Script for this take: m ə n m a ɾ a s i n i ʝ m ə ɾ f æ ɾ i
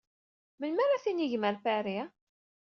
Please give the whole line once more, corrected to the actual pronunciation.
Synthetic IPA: m ə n m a ɾ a θ i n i ʝ m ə ɾ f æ ɾ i